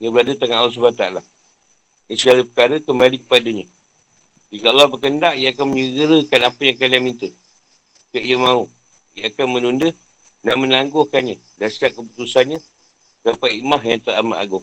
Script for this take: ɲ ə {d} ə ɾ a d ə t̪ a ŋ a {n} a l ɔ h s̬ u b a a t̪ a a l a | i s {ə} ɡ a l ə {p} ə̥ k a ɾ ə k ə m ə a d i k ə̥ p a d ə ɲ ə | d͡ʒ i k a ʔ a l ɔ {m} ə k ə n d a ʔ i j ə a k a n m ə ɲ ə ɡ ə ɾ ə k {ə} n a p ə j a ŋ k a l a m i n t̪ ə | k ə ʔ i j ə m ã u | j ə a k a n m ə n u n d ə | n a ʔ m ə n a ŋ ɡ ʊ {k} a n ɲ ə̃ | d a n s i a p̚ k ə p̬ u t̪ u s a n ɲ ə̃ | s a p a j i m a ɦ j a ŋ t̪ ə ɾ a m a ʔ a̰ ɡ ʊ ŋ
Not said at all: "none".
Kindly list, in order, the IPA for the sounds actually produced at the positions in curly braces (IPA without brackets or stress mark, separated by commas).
b, n, ə, p, b, a, k